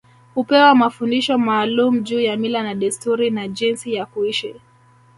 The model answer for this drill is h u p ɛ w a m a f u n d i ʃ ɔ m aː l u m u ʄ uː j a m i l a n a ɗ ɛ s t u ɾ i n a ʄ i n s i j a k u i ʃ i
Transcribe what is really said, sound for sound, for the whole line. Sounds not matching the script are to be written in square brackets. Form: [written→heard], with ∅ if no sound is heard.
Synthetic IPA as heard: h u p ɛ w a m a f u n d i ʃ ɔ m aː l u m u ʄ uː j a m i l a n a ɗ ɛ s t u ɾ i n a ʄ i n s i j a k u i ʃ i